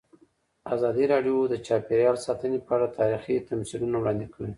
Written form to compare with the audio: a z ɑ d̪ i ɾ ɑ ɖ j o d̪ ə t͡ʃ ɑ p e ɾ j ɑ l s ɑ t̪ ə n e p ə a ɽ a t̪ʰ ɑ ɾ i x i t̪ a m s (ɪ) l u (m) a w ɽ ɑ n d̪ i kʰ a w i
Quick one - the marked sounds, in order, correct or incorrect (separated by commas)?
incorrect, incorrect